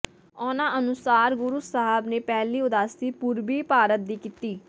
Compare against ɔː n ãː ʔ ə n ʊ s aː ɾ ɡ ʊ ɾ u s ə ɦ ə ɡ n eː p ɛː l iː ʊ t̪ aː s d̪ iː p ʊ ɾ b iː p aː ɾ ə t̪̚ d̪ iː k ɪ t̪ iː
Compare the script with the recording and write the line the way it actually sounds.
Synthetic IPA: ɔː n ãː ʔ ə n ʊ s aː ɾ ɡ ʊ ɾ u s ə ɦ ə b n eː p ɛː l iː ʊ d̪ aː s t̪ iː p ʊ ɾ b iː p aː ɾ ə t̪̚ d̪ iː k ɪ t̪ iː